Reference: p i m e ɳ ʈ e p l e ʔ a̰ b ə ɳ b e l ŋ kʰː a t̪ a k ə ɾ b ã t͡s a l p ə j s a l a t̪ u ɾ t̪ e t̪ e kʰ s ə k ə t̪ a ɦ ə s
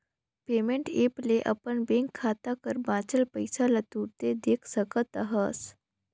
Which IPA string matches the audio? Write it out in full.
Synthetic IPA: p e m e ɳ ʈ e p l e ʔ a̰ p ə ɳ b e ŋ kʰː a t̪ a k ə ɾ b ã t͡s ə l p ə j s a l a t̪ u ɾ t̪ e d̪ e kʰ s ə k ə t̪ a ɦ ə s

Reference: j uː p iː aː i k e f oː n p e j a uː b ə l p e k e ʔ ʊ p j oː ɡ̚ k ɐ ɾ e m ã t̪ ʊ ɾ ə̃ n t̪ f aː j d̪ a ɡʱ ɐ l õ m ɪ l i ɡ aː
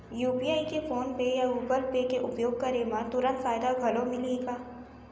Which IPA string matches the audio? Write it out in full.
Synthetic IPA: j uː p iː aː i k e f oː n p e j a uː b ə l p e k e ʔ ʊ p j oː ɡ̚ k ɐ ɾ e m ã t̪ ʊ ɾ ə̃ n t̪ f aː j d̪ a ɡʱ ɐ l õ m ɪ l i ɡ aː

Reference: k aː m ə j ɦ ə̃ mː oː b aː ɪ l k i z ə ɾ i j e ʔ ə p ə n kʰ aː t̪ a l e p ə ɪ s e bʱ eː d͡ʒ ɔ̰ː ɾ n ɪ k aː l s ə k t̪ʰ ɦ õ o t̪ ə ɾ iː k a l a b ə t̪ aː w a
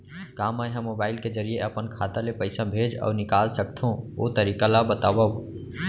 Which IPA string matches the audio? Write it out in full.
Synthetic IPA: k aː m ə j ɦ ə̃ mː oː b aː ɪ l k e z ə ɾ i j e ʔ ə p ə n kʰ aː t̪ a l e p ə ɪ s a bʱ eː d͡ʒ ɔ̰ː ɾ n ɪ k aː l s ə k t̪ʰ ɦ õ o t̪ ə ɾ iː k a l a b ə t̪ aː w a

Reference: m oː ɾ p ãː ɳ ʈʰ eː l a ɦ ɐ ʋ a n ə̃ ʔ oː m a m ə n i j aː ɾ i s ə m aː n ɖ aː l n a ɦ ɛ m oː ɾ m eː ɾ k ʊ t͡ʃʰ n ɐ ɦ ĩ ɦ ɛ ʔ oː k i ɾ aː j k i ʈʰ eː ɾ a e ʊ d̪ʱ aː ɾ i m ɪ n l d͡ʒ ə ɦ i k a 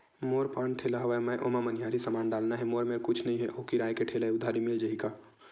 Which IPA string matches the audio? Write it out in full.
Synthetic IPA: m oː ɾ p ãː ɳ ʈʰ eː l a ɦ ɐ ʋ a m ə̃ ʔ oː m a m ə n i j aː ɾ i s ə m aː n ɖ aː l n a ɦ ɛ m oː ɾ m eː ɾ k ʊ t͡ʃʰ n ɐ ɦ ĩ ɦ ɛ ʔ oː k i ɾ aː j k e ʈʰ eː l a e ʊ d̪ʱ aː ɾ i m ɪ l d͡ʒ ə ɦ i k a

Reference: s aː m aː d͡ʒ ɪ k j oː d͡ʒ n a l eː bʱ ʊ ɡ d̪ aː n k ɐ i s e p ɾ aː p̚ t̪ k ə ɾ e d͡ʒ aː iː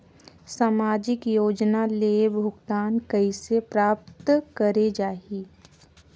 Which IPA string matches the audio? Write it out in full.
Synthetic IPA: s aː m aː d͡ʒ ɪ k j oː d͡ʒ n a l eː bʱ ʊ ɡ t̪ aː n k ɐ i s e p ɾ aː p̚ t̪ k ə ɾ e d͡ʒ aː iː

